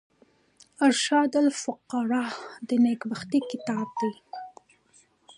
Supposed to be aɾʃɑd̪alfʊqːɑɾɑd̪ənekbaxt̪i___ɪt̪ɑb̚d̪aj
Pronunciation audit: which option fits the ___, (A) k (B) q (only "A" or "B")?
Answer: A